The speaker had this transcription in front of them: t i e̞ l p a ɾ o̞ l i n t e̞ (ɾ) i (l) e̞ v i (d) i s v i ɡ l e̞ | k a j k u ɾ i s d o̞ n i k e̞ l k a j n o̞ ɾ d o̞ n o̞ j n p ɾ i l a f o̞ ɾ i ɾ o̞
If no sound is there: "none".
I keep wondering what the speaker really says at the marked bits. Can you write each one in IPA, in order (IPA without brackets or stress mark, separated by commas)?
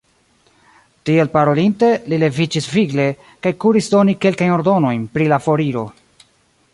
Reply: l, l, d͡ʒ